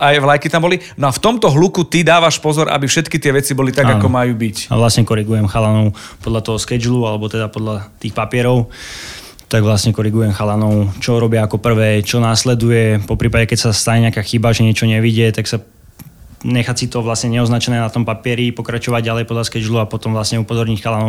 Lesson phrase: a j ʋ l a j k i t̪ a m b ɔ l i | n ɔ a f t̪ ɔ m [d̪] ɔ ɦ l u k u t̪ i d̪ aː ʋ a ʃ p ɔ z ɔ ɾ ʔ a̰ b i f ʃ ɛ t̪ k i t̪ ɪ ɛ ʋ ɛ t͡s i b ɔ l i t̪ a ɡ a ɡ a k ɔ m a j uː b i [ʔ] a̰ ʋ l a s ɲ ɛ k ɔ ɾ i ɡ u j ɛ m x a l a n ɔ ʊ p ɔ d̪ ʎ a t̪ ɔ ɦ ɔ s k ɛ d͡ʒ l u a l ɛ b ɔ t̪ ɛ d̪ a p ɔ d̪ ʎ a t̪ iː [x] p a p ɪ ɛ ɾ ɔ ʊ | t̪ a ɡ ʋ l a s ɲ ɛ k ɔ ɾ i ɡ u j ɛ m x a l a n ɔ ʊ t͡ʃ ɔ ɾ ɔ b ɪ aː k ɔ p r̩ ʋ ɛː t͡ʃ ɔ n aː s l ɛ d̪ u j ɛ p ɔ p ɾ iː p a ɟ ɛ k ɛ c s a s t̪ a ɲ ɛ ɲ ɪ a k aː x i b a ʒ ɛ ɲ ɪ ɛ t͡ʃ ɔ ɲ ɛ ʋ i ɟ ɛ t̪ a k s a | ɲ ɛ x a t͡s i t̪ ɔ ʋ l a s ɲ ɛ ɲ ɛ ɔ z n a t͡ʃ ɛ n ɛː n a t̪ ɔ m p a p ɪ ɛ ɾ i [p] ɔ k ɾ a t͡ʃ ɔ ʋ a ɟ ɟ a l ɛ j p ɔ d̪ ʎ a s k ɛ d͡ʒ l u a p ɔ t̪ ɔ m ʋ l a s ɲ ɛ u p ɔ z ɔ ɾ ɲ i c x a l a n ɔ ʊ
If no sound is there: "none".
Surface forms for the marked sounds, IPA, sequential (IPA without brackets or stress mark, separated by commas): t̪, c, x, p